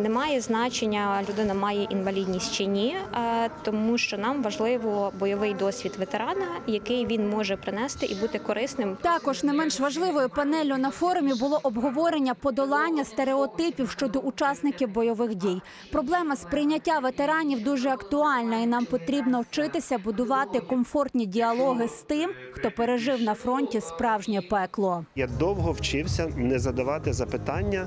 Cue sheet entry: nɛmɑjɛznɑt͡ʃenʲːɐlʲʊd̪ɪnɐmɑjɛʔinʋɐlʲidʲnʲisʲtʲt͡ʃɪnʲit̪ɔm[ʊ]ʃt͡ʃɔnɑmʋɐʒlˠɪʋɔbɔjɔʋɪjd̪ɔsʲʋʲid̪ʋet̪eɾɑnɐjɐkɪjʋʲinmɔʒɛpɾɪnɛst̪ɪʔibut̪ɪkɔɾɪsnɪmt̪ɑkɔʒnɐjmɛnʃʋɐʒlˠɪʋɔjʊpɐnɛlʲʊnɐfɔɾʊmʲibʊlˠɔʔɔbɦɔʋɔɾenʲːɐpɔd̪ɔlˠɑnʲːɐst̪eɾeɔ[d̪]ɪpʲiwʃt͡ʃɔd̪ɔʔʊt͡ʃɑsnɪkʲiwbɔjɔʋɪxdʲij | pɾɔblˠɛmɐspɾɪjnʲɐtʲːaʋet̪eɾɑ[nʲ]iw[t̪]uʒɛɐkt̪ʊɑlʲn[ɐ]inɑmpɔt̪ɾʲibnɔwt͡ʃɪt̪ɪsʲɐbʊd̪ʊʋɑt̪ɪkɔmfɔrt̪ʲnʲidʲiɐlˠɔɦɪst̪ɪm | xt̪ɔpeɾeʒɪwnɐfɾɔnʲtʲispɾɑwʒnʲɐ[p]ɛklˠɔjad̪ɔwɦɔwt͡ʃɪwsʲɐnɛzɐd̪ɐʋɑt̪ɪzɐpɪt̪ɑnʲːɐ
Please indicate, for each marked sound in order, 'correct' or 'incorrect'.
incorrect, incorrect, correct, incorrect, correct, correct

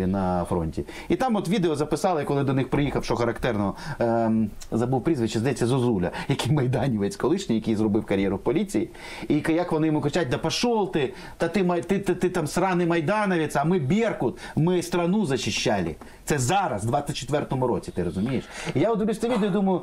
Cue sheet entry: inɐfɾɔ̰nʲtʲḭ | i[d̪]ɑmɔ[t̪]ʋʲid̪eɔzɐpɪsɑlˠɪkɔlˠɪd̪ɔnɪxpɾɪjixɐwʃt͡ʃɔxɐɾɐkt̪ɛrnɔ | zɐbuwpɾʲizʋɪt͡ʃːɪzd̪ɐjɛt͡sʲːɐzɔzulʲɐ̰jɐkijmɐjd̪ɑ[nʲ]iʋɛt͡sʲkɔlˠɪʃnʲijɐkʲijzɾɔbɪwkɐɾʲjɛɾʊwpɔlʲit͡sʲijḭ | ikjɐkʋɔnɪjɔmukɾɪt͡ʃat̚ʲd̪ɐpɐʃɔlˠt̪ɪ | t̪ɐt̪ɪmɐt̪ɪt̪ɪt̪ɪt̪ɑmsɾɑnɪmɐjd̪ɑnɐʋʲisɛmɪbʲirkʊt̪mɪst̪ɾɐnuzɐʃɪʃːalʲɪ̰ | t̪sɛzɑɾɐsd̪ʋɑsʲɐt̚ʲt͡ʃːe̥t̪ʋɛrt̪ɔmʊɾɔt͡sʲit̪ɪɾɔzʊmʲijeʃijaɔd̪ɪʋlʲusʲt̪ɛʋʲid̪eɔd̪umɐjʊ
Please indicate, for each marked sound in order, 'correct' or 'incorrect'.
incorrect, correct, correct

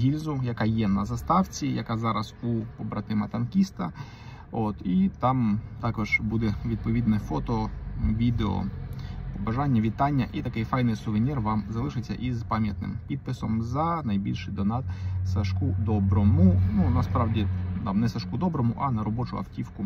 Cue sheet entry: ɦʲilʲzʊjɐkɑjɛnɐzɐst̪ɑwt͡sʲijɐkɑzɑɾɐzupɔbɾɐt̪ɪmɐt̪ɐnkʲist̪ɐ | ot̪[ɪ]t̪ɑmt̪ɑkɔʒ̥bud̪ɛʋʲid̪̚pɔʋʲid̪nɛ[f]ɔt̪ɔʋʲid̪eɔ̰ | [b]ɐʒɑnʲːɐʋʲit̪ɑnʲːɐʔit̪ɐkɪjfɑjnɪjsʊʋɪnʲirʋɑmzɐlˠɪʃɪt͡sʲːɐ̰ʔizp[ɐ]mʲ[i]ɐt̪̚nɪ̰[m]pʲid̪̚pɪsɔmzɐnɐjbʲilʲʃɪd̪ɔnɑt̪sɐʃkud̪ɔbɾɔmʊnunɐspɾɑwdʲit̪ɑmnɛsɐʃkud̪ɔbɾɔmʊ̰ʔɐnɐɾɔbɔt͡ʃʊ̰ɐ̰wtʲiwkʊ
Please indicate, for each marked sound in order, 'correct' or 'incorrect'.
incorrect, correct, correct, incorrect, incorrect, correct

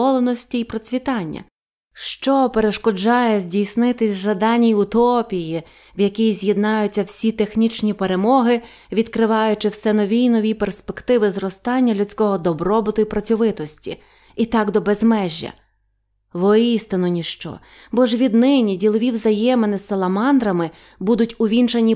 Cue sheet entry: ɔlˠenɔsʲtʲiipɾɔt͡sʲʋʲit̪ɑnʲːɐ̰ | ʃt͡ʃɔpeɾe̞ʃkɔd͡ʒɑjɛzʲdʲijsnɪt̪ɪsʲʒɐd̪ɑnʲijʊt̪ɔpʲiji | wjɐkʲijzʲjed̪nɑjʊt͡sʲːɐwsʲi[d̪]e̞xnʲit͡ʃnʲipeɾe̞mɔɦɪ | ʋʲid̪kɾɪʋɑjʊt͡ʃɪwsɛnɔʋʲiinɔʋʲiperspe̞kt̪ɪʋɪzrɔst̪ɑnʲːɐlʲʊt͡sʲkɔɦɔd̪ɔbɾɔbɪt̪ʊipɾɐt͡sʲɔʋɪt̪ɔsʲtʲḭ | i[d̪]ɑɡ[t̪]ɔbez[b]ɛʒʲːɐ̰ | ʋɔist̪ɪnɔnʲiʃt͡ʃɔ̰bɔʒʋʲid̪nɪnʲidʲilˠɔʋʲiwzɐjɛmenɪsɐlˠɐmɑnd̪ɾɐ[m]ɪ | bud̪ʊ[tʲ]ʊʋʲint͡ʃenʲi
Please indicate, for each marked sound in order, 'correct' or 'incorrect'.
incorrect, incorrect, incorrect, incorrect, correct, correct

